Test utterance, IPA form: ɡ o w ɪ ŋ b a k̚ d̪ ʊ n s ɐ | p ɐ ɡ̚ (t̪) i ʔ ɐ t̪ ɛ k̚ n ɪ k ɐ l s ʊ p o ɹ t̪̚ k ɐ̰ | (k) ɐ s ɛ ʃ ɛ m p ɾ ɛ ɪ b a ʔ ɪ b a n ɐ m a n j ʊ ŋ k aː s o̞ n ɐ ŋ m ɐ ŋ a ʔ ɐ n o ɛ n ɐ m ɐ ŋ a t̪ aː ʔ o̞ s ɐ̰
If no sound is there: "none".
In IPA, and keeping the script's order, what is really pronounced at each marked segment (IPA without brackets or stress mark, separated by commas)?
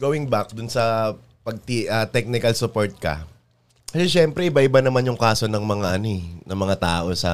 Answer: t̪, k